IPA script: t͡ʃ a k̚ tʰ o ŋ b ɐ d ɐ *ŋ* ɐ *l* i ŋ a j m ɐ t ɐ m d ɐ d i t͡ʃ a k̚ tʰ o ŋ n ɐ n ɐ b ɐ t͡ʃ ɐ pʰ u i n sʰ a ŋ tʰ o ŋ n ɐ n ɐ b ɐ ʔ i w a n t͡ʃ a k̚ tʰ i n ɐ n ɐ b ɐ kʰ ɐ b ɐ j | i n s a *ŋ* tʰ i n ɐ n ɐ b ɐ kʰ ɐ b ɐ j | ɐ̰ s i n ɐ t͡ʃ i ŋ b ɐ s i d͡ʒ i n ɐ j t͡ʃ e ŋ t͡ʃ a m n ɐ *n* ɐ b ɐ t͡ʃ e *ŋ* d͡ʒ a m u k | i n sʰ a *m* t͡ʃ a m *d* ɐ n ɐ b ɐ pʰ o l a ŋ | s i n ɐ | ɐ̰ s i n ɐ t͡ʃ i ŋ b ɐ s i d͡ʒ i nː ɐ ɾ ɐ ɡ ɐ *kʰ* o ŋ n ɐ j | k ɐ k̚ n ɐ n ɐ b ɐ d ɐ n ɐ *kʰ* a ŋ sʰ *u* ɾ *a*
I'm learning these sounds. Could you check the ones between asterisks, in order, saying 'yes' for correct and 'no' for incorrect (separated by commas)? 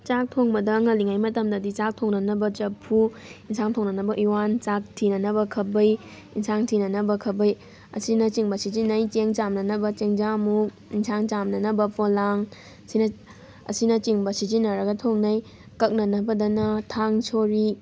yes, yes, yes, yes, yes, no, no, no, no, no, no